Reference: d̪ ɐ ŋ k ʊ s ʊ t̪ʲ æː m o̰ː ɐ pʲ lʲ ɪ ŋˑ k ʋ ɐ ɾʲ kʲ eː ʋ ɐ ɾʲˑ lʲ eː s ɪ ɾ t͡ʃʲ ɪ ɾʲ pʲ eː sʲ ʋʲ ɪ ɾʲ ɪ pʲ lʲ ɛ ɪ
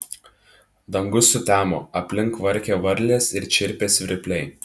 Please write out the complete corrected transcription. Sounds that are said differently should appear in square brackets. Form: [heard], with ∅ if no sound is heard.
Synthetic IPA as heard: d̪ ɐ ŋ [ɡ] ʊ s ʊ t̪ʲ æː m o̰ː ɐ pʲ lʲ ɪ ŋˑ k ʋ ɐ ɾʲ kʲ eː ʋ ɐ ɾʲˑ lʲ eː s ɪ ɾ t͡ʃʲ ɪ ɾʲ pʲ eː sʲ ʋʲ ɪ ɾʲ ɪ pʲ lʲ ɛ ɪ

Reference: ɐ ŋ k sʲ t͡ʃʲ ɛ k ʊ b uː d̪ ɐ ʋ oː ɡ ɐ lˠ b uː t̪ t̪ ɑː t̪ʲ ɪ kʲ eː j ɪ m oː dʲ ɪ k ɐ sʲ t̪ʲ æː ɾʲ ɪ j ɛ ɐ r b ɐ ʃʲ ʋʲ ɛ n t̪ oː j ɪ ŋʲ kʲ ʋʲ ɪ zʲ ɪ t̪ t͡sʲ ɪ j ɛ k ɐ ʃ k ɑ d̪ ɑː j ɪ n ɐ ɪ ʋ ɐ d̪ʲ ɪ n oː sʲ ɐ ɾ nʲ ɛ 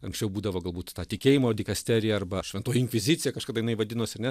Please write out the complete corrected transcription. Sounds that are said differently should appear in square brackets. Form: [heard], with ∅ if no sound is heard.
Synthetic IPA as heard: ɐ ŋ k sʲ t͡ʃʲ ɛ [∅] ʊ b uː d̪ ɐ ʋ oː ɡ ɐ lˠ b uː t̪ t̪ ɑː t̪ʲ ɪ kʲ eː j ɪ m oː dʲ ɪ k ɐ sʲ t̪ʲ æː ɾʲ ɪ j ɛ ɐ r b ɐ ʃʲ ʋʲ ɛ n t̪ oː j ɪ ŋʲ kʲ ʋʲ ɪ zʲ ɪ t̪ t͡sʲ ɪ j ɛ k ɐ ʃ k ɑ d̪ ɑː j ɪ n ɐ ɪ ʋ ɐ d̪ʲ ɪ n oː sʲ ɐ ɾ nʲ ɛ

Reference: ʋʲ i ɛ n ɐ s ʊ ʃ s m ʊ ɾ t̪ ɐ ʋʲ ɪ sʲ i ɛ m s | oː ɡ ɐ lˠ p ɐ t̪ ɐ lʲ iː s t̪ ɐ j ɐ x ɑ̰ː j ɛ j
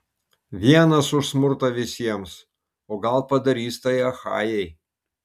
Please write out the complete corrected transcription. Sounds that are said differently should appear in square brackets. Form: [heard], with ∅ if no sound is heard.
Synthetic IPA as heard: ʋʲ i ɛ n ɐ s ʊ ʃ s m ʊ ɾ t̪ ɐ ʋʲ ɪ sʲ i ɛ m s | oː ɡ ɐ lˠ p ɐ [d̪] ɐ [ɾʲ] iː s t̪ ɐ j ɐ x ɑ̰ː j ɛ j

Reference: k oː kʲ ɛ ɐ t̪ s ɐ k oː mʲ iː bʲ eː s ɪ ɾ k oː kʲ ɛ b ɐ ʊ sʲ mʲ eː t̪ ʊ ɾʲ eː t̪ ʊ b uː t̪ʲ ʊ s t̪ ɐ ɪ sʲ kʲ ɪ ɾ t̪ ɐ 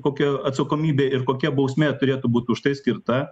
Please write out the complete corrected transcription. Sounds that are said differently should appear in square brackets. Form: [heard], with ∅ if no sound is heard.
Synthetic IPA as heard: k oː kʲ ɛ ɐ t̪ s ɐ k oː mʲ iː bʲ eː [∅] ɪ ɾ k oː kʲ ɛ b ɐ ʊ sʲ mʲ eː t̪ ʊ ɾʲ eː t̪ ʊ b uː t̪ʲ ʊ [ʃ] t̪ ɐ ɪ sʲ kʲ ɪ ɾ t̪ ɐ

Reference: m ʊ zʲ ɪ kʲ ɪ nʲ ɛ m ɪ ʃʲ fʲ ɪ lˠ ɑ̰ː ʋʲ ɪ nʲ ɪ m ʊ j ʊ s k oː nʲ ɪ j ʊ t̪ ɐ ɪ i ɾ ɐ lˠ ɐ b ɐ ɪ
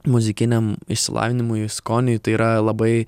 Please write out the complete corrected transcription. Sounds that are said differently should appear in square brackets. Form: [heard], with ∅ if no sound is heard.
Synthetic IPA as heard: m ʊ zʲ ɪ kʲ ɪ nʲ ɛ m ɪ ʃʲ [sʲ] ɪ lˠ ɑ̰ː ʋʲ ɪ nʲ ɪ m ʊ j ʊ s k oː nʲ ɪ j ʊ t̪ ɐ ɪ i ɾ ɐ lˠ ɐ b ɐ ɪ

